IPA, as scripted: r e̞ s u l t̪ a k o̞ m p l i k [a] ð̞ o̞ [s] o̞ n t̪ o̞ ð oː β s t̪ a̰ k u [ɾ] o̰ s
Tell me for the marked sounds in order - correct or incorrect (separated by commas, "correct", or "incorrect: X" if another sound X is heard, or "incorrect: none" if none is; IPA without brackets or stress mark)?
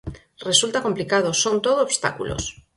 correct, correct, incorrect: l